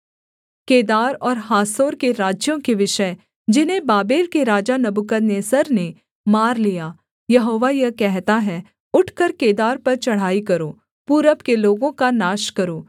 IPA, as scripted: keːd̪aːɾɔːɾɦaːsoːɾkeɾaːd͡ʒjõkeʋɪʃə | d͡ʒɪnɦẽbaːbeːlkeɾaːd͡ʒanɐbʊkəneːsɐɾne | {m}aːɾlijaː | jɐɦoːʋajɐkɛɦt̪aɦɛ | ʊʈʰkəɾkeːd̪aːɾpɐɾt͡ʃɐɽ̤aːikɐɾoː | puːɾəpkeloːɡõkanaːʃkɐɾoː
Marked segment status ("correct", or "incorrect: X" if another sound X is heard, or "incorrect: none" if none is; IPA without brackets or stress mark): correct